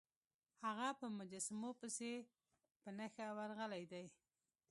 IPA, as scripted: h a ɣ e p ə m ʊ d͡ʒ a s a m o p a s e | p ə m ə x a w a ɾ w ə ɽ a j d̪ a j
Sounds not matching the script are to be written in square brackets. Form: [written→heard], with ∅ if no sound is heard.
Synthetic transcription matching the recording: h a ɣ [e→a] p ə m ʊ d͡ʒ a s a m o p [a→ə] s e | p ə [m→n] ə x a w a ɾ [w→ɣ] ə [ɽ→l] a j d̪ a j